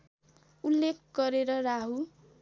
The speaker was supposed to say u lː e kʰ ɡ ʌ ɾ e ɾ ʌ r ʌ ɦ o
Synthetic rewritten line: u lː e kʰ ɡ ʌ ɾ e ɾ ʌ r a ɦ u